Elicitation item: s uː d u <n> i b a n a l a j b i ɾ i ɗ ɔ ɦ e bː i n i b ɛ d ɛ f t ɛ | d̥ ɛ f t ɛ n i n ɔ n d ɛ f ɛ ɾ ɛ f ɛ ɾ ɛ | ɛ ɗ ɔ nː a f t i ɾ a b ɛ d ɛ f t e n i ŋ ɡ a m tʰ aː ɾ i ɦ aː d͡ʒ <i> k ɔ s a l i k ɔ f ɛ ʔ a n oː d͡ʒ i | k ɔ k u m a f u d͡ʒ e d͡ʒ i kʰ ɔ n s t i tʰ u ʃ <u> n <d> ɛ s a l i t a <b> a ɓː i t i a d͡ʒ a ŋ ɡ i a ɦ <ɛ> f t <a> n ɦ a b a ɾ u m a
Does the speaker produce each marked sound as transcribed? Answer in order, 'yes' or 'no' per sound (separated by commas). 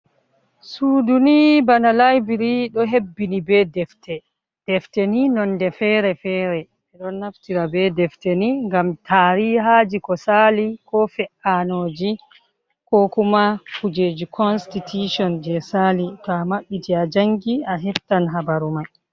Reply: yes, yes, no, no, no, yes, yes